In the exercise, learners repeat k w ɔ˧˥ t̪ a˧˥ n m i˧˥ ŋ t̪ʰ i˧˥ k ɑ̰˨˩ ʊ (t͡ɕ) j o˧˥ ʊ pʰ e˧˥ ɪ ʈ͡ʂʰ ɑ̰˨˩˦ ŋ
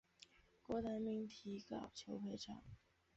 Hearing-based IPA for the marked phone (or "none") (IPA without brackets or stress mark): t͡ɕʰ